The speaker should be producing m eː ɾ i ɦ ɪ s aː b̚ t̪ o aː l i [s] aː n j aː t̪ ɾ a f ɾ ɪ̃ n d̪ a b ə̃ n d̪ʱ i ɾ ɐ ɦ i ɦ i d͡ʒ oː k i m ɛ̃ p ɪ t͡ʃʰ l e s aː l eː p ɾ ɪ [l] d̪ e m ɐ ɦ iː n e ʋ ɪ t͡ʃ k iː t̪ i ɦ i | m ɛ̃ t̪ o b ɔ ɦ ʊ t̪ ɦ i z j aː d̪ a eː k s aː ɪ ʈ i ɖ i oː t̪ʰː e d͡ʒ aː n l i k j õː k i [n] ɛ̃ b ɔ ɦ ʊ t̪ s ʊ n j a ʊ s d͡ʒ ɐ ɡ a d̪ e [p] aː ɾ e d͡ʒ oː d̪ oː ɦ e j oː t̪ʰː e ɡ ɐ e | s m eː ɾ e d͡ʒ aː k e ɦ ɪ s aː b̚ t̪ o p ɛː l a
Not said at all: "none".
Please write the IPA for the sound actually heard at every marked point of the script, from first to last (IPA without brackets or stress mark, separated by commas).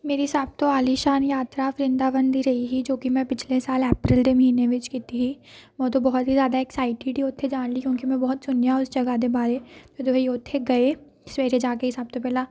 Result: ʃ, l, m, b